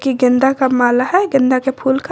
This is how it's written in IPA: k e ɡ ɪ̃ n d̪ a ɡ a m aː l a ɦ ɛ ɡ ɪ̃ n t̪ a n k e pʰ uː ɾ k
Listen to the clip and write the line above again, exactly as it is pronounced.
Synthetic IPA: k i ɡ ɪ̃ n d̪ a k a m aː l a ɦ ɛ ɡ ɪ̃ n d̪ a k e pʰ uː l k